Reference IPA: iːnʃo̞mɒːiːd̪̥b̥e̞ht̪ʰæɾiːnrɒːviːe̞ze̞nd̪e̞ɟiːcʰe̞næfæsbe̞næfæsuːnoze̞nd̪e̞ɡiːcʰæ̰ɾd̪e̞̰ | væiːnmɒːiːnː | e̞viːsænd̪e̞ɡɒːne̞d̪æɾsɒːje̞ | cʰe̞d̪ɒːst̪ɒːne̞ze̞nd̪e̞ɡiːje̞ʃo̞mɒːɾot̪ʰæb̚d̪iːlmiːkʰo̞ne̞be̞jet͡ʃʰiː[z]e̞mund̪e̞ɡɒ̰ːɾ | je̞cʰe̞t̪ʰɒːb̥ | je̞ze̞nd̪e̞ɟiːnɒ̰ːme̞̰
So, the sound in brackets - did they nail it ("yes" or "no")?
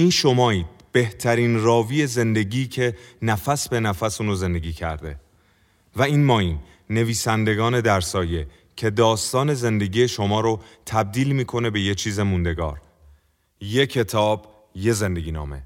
yes